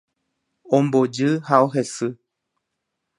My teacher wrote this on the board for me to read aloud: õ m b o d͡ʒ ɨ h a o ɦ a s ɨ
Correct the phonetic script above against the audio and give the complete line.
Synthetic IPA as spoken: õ m b o d͡ʒ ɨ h a o ɦ e s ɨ